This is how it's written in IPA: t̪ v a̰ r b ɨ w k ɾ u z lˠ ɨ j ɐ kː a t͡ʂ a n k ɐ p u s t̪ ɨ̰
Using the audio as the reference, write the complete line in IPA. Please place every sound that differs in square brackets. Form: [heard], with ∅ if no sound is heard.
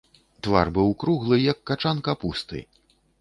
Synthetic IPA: t̪ v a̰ r b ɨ w k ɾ u [ɣ] lˠ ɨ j ɐ kː a t͡ʂ a n k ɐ p u s t̪ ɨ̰